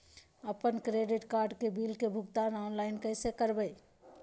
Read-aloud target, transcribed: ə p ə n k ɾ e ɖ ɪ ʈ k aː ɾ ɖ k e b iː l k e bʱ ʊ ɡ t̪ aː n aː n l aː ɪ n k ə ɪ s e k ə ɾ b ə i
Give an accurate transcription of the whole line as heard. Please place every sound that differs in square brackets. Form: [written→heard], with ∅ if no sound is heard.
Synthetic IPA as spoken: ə p ə n k ɾ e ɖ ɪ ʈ k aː ɾ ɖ k e b iː l k e bʱ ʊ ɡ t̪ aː n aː n l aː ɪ n k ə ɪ s e k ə ɾ b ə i